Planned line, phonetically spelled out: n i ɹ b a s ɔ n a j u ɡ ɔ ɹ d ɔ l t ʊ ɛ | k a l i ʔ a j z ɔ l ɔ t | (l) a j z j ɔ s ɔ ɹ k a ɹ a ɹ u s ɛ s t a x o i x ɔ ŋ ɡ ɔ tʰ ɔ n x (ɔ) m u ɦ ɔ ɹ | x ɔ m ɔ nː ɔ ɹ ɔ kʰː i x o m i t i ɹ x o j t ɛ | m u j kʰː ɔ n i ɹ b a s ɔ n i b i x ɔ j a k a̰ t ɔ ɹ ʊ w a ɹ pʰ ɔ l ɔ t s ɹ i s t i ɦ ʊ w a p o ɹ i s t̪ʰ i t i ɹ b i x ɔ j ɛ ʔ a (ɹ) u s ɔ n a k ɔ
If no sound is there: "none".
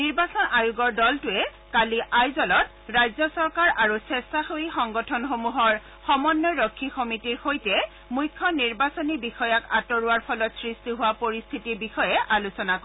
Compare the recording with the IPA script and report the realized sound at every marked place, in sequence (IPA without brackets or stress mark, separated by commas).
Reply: ɹ, o, l